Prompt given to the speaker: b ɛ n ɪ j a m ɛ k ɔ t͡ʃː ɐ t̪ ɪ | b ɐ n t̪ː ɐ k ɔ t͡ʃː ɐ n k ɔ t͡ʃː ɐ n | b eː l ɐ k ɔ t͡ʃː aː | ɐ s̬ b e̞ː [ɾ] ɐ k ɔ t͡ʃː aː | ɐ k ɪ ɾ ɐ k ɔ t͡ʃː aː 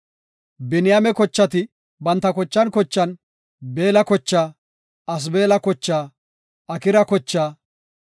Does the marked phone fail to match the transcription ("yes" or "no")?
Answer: yes